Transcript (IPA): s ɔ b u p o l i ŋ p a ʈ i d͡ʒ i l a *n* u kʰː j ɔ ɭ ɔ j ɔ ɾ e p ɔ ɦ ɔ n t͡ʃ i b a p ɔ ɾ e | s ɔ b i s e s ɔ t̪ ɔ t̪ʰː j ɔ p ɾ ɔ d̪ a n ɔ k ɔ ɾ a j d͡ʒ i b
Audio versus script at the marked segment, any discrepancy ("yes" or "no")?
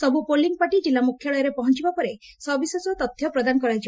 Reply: yes